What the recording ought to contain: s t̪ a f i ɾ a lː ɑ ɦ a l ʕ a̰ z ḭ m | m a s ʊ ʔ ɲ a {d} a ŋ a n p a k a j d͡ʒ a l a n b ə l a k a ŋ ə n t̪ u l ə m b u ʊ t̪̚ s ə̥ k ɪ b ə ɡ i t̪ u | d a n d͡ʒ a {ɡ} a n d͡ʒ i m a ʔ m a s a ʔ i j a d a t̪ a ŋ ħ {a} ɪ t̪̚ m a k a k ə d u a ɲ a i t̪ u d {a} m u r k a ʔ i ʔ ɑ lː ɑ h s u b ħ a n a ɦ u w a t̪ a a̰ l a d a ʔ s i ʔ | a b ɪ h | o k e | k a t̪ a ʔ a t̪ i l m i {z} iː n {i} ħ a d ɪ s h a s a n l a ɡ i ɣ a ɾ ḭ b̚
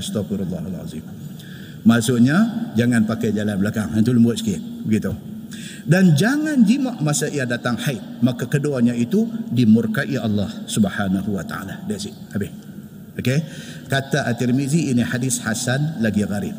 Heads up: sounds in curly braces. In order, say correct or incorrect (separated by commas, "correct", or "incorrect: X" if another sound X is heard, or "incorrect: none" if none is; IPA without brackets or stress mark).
incorrect: d͡ʒ, incorrect: ŋ, correct, incorrect: i, correct, correct